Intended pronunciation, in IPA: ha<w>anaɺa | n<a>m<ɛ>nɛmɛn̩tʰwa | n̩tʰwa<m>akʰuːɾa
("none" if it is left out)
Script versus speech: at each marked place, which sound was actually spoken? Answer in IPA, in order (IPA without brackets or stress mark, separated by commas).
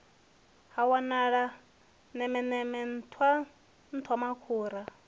w, ɛ, ɛ, m